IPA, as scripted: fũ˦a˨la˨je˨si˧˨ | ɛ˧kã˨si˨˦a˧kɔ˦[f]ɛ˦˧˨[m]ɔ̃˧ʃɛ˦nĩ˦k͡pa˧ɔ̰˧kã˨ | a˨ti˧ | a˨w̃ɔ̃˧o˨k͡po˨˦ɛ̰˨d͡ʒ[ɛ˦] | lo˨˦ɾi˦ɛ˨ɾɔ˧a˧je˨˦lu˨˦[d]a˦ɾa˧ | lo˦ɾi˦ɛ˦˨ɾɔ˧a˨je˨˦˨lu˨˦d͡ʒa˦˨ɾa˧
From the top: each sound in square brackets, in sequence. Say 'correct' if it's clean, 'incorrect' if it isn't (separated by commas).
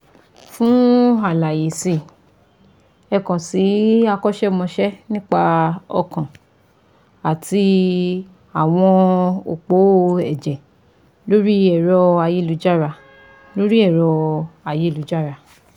incorrect, correct, incorrect, incorrect